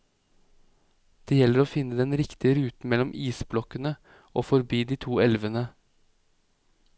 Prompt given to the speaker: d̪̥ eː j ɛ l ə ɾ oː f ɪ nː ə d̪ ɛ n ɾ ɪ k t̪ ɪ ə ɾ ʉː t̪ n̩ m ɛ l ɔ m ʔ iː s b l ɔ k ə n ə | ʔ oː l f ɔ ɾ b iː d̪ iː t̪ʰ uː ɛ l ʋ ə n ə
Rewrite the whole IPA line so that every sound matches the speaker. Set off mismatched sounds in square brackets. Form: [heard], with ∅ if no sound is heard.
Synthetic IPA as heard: d̪̥ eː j ɛ l ə ɾ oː f ɪ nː ə d̪ ɛ n ɾ ɪ k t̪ ɪ ə ɾ ʉː t̪ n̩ m ɛ l ɔ m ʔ iː s b l ɔ k ə n ə | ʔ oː [∅] f ɔ ɾ b iː d̪ iː t̪ʰ uː ɛ l ʋ ə n ə